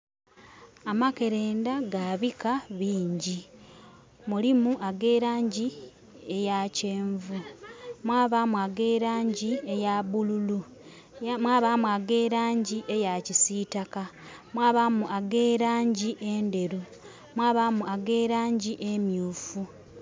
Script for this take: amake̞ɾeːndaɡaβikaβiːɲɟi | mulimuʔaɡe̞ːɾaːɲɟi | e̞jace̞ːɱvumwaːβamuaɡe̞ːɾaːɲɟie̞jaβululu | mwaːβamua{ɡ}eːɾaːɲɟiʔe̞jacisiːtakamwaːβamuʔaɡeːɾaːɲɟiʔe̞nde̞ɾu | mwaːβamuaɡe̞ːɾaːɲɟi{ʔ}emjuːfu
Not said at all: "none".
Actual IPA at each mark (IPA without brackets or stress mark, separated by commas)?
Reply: ɡ, ʔ